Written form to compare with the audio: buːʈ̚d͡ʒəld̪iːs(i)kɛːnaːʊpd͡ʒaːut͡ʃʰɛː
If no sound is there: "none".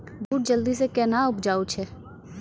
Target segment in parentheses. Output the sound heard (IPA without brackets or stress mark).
e